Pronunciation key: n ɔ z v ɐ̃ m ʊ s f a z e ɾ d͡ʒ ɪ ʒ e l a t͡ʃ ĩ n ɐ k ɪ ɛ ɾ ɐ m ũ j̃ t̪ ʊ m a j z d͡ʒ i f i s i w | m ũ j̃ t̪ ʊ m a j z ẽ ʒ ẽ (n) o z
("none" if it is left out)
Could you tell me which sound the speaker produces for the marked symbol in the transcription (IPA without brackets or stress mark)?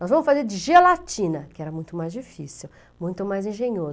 ɲ